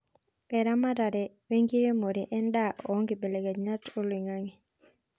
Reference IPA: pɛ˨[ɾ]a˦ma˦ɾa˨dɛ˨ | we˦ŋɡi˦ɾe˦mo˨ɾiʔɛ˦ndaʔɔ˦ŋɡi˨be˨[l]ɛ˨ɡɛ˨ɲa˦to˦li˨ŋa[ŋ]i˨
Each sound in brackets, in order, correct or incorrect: correct, correct, correct

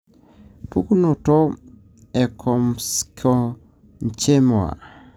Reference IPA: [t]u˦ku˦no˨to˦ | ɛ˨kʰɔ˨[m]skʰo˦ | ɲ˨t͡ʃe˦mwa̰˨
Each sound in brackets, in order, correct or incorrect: incorrect, correct

